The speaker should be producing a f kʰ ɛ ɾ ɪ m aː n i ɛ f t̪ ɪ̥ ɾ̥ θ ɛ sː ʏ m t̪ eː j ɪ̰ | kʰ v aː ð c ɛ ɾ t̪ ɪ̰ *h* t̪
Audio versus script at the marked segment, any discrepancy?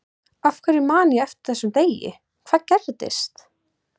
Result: yes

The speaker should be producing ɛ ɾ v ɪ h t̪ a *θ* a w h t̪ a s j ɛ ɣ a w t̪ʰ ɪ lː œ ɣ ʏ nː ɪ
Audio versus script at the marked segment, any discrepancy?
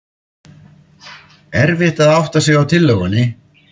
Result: yes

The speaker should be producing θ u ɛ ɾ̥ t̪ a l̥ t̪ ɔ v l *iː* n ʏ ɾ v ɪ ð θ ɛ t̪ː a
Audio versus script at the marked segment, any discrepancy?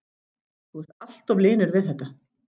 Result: yes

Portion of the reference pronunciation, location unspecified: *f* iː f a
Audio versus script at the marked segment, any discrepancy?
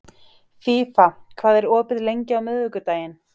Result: no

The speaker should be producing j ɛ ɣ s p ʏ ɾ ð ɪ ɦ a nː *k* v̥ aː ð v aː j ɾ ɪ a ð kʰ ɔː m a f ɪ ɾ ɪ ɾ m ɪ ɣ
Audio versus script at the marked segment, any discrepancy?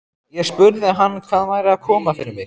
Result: yes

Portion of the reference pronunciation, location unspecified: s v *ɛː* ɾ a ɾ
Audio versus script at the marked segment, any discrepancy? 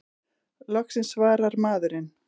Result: yes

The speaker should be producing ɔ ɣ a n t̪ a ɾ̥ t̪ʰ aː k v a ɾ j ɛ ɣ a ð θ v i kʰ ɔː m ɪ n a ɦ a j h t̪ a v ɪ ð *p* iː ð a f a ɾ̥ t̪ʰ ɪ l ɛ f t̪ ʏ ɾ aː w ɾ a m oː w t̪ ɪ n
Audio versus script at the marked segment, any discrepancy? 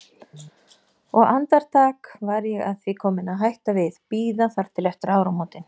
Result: no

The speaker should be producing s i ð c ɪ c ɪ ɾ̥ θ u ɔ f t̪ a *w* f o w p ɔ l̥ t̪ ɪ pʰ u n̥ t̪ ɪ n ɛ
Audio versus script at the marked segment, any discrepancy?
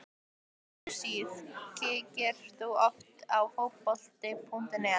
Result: no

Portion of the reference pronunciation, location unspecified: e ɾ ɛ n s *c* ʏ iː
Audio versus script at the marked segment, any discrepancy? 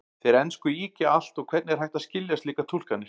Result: yes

